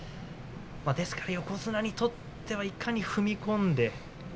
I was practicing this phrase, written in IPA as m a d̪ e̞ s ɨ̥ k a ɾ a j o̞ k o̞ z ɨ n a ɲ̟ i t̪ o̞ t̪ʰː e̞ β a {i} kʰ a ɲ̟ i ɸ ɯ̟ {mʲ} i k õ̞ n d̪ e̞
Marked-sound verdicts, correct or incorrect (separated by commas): correct, correct